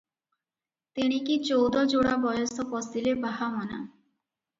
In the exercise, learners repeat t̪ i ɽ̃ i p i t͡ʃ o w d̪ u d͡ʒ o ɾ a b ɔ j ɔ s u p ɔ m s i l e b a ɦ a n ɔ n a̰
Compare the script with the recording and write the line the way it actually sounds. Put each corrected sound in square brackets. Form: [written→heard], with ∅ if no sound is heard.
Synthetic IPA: t̪ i ɽ̃ i [p→k] i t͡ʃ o w d̪ [u→ɔ] d͡ʒ o [ɾ→ɽ] a b ɔ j ɔ s [u→ɔ] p ɔ [m→∅] s i l e b a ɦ a [n→m] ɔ n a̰